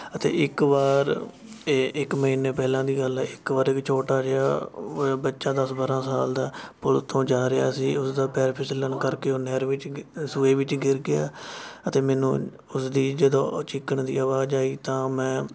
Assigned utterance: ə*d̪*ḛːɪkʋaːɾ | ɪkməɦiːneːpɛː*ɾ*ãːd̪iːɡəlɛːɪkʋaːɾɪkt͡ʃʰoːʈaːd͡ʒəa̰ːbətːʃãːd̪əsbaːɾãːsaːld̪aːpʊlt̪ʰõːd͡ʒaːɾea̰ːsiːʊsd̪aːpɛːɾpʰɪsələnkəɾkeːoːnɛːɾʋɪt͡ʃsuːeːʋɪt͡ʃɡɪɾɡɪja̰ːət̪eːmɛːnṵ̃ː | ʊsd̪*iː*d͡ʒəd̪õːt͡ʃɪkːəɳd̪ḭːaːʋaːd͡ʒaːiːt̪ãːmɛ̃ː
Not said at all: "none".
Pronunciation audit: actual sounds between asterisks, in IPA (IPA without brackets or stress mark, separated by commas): t̪, l, iː